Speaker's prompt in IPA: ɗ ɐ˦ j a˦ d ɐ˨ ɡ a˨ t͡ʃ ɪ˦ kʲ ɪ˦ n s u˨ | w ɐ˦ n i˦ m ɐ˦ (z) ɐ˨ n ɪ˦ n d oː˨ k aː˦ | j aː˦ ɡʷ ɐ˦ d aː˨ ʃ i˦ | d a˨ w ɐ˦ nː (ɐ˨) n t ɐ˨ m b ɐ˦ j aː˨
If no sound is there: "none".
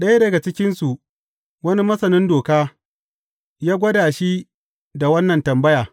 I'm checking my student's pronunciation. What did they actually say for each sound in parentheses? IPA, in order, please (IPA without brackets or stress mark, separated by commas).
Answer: s, ɐ˨